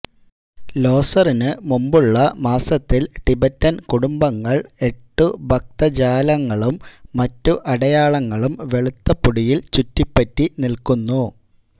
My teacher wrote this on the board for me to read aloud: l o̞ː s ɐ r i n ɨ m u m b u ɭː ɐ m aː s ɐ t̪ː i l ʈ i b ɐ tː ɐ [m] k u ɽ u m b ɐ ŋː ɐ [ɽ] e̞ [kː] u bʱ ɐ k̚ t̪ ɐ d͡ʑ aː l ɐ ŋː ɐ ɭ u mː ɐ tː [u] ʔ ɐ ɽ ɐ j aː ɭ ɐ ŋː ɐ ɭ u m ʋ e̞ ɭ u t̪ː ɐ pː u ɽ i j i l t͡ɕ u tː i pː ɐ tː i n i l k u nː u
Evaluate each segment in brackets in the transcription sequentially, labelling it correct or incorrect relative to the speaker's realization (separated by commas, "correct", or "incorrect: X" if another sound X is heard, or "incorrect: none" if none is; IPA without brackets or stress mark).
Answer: incorrect: n, incorrect: ɭ, incorrect: ʈː, correct